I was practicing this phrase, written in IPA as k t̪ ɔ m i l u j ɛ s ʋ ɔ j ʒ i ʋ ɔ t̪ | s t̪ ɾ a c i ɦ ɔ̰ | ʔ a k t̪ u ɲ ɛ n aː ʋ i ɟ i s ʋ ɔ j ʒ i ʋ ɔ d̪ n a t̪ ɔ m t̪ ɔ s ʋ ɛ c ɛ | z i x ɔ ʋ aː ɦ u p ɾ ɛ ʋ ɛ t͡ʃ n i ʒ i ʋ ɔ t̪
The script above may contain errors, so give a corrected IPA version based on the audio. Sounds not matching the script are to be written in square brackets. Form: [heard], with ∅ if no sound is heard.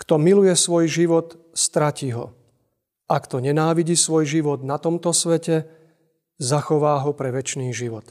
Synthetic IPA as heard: k t̪ ɔ m i l u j ɛ s ʋ ɔ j ʒ i ʋ ɔ t̪ | s t̪ ɾ a c i ɦ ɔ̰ | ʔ a k t̪ [ɔ] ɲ ɛ n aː ʋ i ɟ i s ʋ ɔ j ʒ i ʋ ɔ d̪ n a t̪ ɔ m t̪ ɔ s ʋ ɛ c ɛ | z [a] x ɔ ʋ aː ɦ [ɔ] p ɾ ɛ ʋ ɛ t͡ʃ n [iː] ʒ i ʋ ɔ t̪